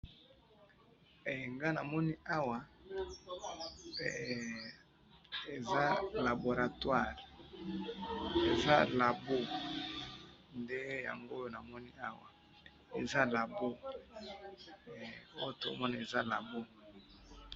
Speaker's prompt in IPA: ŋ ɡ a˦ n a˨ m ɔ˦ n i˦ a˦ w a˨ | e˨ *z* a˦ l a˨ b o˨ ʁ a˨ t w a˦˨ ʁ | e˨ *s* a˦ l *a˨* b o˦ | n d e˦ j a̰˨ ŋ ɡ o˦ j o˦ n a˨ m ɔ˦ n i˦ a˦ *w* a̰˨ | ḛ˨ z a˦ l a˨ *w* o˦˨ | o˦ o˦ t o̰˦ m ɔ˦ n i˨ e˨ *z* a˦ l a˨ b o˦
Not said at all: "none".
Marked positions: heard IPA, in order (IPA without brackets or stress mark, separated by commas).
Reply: z, z, a˨, w, b, z